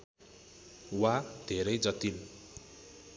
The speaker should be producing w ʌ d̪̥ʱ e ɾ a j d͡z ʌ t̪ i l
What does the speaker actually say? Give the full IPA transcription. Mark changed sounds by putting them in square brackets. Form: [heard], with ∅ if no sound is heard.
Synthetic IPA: w [a] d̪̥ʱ e ɾ [ʌ] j d͡z ʌ t̪ i l